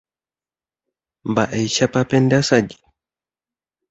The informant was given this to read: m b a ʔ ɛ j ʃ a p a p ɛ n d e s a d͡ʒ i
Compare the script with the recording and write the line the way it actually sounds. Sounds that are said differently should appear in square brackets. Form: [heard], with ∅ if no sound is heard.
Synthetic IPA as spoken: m b a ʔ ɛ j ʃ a p a p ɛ n d [a] s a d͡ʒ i